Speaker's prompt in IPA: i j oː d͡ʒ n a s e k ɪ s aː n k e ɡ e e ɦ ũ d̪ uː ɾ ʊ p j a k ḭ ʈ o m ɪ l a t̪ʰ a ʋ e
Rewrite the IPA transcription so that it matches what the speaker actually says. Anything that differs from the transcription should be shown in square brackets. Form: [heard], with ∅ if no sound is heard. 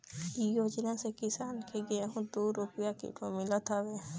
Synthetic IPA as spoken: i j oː d͡ʒ n a s e k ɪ s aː n k e ɡ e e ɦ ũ d̪ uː ɾ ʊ p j a k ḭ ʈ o m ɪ l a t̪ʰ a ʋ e